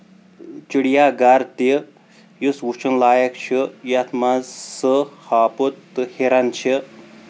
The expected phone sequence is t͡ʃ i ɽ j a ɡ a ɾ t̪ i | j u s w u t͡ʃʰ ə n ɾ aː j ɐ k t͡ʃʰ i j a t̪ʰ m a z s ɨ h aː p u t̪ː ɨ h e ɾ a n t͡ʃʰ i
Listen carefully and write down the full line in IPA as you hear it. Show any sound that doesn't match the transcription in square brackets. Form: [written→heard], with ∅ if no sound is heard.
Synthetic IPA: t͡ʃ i ɽ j a ɡ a ɾ t̪ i | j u s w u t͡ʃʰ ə n [ɾ→l] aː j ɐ k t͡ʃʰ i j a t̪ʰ m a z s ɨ h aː p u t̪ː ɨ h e ɾ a n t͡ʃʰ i